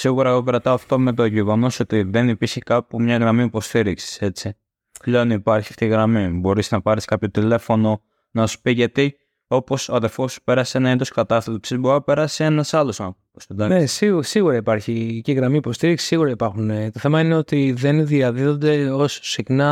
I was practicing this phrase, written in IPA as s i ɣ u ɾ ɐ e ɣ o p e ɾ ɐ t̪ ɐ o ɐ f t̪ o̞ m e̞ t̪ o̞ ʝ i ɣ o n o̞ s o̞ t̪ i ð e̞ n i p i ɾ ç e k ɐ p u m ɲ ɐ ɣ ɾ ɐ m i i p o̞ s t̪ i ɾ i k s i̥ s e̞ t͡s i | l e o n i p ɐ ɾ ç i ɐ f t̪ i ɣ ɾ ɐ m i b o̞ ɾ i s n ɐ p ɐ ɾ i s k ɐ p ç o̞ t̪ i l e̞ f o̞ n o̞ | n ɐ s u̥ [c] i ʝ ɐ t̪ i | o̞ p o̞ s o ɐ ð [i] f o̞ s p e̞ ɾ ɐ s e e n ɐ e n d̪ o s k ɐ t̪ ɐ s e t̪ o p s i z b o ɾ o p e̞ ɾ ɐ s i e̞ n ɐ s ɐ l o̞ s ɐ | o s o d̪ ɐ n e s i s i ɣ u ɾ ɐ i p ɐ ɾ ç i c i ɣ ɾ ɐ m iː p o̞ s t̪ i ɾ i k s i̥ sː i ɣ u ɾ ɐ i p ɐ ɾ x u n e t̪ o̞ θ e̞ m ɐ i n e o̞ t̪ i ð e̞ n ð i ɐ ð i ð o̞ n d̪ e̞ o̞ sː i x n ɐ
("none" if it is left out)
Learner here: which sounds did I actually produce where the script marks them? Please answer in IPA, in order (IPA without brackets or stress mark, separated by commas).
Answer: p, e